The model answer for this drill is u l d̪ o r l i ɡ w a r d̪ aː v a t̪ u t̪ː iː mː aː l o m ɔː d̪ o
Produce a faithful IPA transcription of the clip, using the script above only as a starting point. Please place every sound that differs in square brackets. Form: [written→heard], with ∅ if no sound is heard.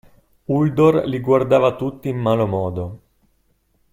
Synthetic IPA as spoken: u l d̪ o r l i ɡ w a r d̪ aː v a t̪ u t̪ː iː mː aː l o m ɔː d̪ o